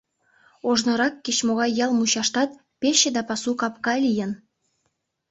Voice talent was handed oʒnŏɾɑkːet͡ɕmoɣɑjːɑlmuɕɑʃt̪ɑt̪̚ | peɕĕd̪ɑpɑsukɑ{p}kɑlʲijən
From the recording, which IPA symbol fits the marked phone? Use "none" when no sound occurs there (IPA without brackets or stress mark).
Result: p